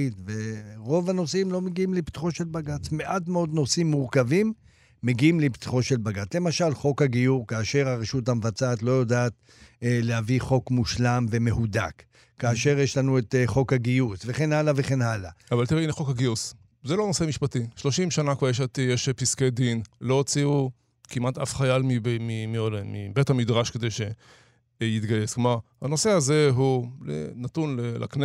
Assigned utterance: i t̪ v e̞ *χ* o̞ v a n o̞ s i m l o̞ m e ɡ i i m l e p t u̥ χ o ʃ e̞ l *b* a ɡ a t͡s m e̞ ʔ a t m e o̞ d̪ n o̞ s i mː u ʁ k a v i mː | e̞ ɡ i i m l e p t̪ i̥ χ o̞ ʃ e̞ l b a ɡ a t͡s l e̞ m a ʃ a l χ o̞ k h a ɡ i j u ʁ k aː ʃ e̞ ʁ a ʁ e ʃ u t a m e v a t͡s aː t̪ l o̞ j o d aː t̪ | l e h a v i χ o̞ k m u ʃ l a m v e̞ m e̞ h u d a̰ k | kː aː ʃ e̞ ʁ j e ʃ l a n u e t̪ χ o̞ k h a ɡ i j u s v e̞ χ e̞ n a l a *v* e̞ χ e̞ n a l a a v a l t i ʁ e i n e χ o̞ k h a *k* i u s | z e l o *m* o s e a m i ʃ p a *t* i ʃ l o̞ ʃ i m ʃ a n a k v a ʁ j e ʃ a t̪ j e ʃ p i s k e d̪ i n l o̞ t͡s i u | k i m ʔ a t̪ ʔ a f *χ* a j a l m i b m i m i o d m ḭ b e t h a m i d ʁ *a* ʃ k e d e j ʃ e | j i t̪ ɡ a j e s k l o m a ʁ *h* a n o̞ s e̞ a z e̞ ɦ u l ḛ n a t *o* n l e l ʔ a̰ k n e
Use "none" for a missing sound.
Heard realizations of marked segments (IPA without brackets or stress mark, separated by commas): ʁ, b, v, ɡ, n, t, χ, a, h, u